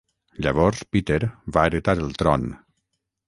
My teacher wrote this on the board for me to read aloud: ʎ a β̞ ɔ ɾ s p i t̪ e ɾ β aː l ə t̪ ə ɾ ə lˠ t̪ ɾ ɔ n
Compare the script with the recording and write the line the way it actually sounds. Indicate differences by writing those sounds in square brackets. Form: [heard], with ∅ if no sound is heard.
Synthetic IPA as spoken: ʎ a β̞ ɔ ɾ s p i t̪ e ɾ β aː [ɾ] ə t̪ [a] ɾ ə lˠ t̪ ɾ ɔ n